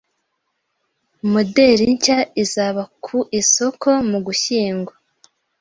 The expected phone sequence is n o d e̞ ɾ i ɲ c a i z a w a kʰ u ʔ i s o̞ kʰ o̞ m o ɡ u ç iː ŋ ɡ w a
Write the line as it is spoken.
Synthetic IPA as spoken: m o d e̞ ɾ i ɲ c a i z a β a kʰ u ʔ i s o̞ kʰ o̞ m u ɡ u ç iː ŋ ɡ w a